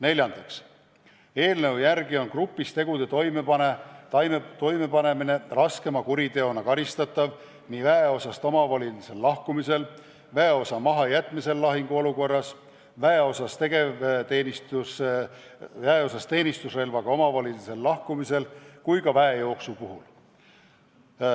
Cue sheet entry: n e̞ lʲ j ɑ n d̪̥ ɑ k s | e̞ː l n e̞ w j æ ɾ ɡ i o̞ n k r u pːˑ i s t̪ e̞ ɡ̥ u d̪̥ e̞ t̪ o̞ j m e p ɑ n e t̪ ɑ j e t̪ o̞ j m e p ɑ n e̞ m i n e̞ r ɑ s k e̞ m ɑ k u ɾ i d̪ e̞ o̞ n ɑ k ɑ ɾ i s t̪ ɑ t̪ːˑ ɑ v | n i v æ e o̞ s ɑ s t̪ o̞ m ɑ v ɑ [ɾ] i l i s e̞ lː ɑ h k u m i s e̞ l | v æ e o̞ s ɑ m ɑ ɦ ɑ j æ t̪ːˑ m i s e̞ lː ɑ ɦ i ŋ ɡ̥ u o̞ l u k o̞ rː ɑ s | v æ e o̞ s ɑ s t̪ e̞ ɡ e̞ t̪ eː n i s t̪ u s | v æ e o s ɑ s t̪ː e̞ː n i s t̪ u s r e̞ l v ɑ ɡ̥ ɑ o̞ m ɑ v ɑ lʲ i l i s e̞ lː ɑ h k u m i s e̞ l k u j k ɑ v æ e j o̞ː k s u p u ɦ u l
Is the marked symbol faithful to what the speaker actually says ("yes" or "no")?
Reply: no